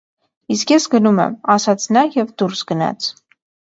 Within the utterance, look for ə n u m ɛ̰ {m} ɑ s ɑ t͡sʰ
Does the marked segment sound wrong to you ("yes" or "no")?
no